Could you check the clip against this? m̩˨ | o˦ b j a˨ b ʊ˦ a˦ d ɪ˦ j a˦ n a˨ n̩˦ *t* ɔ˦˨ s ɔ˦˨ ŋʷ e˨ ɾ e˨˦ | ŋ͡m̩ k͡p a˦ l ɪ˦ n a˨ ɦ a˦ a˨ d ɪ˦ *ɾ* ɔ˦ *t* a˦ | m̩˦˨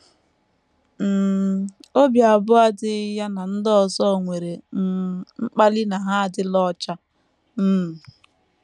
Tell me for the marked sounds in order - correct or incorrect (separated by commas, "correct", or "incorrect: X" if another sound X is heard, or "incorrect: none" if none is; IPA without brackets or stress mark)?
incorrect: d, incorrect: l, incorrect: t͡ʃ